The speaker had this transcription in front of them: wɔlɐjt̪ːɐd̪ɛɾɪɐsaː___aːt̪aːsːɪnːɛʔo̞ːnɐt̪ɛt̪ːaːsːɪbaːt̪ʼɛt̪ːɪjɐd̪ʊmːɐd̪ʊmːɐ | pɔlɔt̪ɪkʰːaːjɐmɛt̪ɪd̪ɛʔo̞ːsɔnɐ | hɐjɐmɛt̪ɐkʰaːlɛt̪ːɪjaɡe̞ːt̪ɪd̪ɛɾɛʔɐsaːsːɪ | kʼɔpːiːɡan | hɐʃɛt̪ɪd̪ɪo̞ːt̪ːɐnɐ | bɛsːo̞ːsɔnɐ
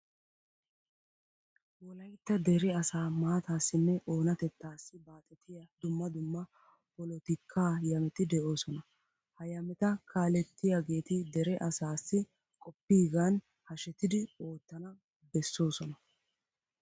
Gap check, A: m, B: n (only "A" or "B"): A